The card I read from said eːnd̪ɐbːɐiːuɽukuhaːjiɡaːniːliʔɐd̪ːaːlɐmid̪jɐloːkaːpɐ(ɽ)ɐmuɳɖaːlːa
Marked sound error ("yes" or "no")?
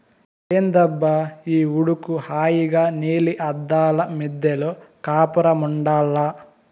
yes